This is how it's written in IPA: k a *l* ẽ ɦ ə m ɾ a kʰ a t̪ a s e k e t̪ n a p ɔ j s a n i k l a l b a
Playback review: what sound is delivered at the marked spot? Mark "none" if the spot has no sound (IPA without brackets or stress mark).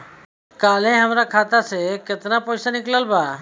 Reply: l